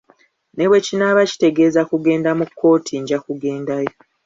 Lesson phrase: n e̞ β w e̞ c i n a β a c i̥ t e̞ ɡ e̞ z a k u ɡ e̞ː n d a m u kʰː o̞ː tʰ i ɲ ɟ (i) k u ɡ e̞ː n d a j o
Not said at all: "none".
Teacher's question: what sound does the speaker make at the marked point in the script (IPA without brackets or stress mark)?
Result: a